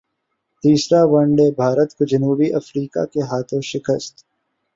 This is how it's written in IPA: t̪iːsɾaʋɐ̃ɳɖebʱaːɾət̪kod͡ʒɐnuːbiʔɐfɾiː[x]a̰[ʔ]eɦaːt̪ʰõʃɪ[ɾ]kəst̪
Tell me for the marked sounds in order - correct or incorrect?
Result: incorrect, incorrect, incorrect

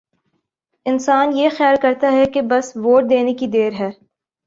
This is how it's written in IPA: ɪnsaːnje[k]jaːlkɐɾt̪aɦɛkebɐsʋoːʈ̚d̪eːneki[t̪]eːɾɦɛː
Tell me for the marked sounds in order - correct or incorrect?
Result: incorrect, incorrect

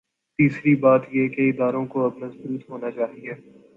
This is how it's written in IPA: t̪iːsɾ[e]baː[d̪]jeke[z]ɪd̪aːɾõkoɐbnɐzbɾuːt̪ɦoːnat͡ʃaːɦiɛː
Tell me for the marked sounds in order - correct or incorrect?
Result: incorrect, incorrect, incorrect

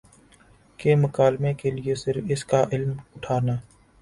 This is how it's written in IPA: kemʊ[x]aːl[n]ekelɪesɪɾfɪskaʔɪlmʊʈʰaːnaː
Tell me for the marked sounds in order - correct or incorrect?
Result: incorrect, incorrect

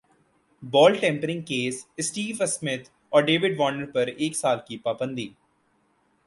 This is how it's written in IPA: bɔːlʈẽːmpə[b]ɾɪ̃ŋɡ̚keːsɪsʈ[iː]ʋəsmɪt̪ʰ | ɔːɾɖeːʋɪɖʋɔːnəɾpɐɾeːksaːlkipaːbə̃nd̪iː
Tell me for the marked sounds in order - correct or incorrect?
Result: incorrect, correct

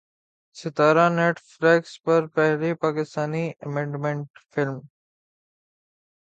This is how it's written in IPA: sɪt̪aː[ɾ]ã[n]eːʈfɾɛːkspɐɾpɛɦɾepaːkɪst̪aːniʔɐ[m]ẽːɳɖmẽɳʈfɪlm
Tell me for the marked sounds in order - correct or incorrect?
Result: correct, correct, correct

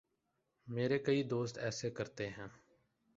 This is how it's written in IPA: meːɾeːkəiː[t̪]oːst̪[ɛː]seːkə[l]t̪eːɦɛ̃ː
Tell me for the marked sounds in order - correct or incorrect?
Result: incorrect, correct, incorrect

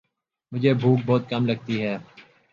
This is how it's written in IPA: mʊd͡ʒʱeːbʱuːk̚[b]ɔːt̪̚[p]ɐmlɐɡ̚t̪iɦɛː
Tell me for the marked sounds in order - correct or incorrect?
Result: correct, incorrect

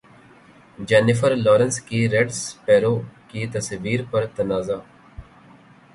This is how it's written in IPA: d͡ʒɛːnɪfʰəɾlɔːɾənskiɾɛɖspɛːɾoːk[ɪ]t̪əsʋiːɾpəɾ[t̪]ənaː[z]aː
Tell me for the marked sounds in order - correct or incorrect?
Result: incorrect, correct, correct

